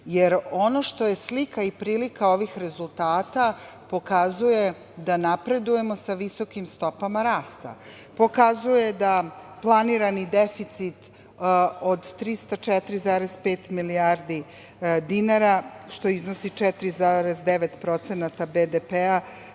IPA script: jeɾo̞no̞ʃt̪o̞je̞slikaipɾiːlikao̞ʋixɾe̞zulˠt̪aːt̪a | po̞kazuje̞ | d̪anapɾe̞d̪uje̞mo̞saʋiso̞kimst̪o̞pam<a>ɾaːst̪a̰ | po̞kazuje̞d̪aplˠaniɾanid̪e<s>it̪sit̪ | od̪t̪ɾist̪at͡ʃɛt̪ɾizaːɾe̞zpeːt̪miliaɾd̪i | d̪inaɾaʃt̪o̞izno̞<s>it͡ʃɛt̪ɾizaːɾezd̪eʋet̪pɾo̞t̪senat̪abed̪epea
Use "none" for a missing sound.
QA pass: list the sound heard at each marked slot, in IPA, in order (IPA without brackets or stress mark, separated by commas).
a, f, s